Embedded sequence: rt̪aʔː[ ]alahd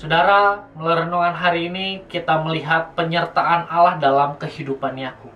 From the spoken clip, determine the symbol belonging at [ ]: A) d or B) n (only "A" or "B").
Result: B